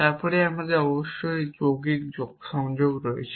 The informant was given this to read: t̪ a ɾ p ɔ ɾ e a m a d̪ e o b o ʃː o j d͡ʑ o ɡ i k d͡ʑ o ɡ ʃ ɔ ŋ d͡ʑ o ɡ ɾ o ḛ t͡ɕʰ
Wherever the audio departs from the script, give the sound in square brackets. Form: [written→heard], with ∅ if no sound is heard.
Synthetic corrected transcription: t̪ a ɾ p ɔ ɾ e a m a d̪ e [o→ɔ] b o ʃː o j d͡ʑ o ɡ i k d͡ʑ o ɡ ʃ ɔ ŋ d͡ʑ o ɡ ɾ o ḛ t͡ɕʰ